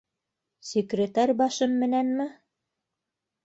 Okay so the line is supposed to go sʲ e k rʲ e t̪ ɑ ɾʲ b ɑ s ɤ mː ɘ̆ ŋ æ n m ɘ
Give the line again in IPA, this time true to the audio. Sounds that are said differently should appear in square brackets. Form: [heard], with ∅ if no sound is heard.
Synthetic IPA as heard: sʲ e k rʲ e t̪ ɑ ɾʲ b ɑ [ʃ] ɤ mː ɘ̆ [n] æ n m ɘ